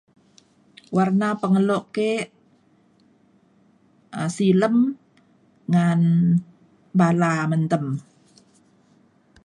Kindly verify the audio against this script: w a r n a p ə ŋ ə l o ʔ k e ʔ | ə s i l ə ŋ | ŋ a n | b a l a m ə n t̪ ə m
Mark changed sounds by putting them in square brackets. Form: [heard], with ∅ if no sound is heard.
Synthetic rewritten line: w a r n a p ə ŋ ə l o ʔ k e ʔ | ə s i l ə [m] | ŋ a n | b a l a m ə n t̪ ə m

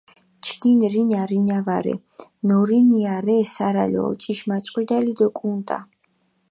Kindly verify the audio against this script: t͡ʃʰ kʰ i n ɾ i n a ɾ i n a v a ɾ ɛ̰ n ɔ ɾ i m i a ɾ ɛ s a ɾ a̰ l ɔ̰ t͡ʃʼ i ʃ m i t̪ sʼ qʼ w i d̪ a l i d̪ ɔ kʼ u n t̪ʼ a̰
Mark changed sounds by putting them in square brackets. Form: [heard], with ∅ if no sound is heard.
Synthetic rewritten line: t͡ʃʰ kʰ i n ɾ i n a ɾ i n a v a ɾ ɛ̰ n ɔ ɾ i [n] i a ɾ ɛ s a ɾ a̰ l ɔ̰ t͡ʃʼ i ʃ m [a] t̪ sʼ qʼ w i d̪ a l i d̪ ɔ kʼ u n t̪ʼ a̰

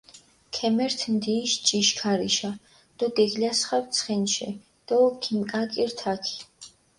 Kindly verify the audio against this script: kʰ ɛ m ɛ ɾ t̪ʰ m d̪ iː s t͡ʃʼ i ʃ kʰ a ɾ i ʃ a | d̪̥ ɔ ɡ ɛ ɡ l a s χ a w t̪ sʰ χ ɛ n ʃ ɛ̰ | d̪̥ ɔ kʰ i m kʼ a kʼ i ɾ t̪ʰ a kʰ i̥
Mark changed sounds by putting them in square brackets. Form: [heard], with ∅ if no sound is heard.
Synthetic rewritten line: kʰ ɛ m ɛ ɾ t̪ʰ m d̪ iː [ʃ] t͡ʃʼ i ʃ kʰ a ɾ i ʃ a | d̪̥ ɔ ɡ ɛ ɡ l a s χ a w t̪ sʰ χ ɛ n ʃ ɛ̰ | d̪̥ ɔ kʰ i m kʼ a kʼ i ɾ t̪ʰ a kʰ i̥

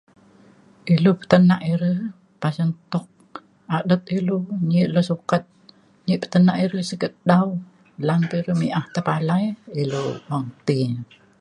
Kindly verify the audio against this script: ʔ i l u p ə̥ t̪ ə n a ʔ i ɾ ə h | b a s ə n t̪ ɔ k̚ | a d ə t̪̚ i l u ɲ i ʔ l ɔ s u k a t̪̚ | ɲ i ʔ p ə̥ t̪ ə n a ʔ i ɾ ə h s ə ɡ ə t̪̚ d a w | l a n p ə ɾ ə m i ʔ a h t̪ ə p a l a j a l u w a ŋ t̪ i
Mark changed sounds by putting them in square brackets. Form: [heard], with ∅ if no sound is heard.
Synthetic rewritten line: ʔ i l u p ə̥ t̪ ə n a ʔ i ɾ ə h | [p] a s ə n t̪ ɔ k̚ | a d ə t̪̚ i l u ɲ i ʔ l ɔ s u k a t̪̚ | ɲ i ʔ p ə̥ t̪ ə n a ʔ i ɾ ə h s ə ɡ ə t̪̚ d a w | l a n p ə ɾ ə m i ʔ a h t̪ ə p a l a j [i] l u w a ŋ t̪ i

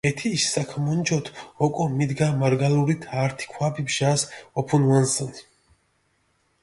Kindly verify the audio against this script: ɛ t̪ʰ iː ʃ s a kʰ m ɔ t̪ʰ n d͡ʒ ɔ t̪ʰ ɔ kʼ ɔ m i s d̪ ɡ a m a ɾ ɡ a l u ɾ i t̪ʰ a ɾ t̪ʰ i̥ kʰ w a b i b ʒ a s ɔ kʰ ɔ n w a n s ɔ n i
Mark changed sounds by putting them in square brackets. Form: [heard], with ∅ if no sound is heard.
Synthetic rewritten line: ɛ t̪ʰ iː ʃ s a kʰ m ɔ [∅] n d͡ʒ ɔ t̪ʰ ɔ kʼ ɔ m i [∅] d̪ ɡ a m a ɾ ɡ a l u ɾ i t̪ʰ a ɾ t̪ʰ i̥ kʰ w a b i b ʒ a s ɔ [pʰ] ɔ n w a n s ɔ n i

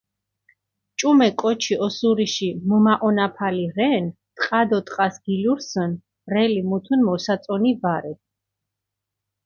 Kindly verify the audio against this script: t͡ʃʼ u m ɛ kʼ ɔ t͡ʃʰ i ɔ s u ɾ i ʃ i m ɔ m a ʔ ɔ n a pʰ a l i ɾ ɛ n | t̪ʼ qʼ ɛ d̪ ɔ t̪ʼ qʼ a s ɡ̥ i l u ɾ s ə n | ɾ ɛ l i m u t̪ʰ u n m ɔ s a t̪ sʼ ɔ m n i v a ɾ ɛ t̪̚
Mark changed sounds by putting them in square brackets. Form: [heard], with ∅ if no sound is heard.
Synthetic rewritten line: t͡ʃʼ u m ɛ kʼ ɔ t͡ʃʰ i ɔ s u ɾ i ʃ i m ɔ m a ʔ ɔ n a pʰ a l i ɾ ɛ n | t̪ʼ qʼ [a] d̪ ɔ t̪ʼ qʼ a s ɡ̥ i l u ɾ s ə n | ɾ ɛ l i m u t̪ʰ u n m ɔ s a t̪ sʼ ɔ [∅] n i v a ɾ ɛ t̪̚

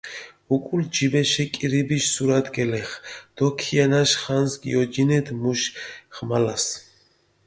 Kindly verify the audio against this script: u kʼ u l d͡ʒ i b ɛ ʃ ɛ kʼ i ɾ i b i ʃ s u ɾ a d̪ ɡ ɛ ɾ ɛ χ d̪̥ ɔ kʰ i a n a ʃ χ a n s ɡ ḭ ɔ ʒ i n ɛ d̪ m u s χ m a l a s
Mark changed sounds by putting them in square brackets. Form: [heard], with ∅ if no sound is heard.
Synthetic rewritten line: u kʼ u l d͡ʒ i b ɛ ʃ ɛ kʼ i ɾ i b i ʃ s u ɾ a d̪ ɡ ɛ [l] ɛ χ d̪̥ ɔ kʰ i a n a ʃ χ a n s ɡ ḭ ɔ [d͡ʒ] i n ɛ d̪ m u [ʃ] χ m a l a s

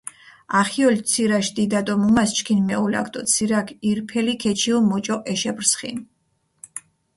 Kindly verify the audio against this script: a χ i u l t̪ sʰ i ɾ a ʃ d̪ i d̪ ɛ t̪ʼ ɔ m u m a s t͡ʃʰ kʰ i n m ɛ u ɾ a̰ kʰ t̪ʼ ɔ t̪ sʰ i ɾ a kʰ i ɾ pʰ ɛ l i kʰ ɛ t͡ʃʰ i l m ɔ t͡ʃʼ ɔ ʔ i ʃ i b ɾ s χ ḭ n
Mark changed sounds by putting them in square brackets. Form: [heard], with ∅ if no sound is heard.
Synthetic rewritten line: a χ i [ɔ] l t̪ sʰ i ɾ a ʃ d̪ i d̪ [a] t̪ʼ ɔ m u m a s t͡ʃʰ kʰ i n m ɛ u [l] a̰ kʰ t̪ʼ ɔ t̪ sʰ i ɾ a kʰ i ɾ pʰ ɛ l i kʰ ɛ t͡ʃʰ i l m ɔ t͡ʃʼ ɔ ʔ [ɛ] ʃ [ɛ] b ɾ s χ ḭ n

